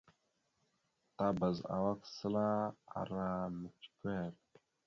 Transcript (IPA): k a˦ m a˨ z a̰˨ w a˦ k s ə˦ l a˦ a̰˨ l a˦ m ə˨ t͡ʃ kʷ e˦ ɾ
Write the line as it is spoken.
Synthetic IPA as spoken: t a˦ b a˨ z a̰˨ w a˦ k s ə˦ l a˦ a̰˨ ɾ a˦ m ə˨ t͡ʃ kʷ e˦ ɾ